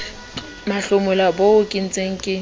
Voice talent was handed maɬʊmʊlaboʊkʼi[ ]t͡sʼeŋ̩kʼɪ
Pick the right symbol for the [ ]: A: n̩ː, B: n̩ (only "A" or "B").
B